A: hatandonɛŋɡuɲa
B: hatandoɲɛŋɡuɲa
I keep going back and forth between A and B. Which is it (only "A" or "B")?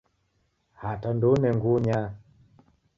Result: A